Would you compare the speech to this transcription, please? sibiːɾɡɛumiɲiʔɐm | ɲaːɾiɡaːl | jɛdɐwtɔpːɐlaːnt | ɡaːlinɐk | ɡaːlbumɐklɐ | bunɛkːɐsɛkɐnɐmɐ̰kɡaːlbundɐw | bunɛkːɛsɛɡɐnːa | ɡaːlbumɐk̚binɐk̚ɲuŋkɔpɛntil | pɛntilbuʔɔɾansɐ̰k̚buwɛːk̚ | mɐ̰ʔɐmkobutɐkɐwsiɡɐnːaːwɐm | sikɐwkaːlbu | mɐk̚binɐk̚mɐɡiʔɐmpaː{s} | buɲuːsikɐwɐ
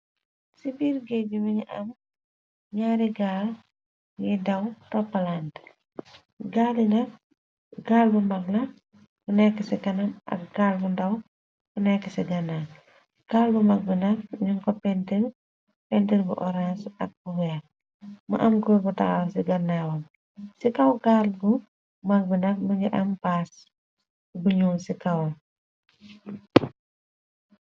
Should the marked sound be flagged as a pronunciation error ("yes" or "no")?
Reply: no